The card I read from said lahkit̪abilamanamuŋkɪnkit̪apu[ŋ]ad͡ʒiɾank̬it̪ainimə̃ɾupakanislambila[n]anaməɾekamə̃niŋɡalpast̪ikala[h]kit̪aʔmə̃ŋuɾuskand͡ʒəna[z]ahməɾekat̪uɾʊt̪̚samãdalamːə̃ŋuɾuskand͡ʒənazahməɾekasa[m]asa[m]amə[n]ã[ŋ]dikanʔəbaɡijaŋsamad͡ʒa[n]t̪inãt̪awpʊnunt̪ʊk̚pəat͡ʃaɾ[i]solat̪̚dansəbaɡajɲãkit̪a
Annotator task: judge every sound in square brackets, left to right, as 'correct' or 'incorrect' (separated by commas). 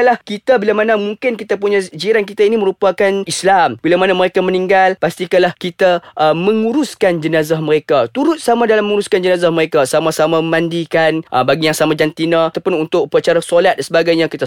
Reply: incorrect, incorrect, correct, correct, correct, correct, incorrect, incorrect, correct, incorrect